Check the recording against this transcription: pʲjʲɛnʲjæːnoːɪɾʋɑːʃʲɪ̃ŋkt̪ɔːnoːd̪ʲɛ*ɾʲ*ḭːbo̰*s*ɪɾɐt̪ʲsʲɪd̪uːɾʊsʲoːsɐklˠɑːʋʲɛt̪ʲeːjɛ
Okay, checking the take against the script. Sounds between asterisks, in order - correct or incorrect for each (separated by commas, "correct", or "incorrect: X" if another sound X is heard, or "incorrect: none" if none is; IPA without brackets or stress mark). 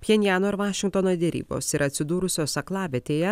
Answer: correct, correct